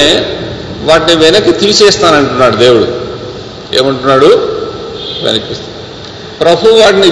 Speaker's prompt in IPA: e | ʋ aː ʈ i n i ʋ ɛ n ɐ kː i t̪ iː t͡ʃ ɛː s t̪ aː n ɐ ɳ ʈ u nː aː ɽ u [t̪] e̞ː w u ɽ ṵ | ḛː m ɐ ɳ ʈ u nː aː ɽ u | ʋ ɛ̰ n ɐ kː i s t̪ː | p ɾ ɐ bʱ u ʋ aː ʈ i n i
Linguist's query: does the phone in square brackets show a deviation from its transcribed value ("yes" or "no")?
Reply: yes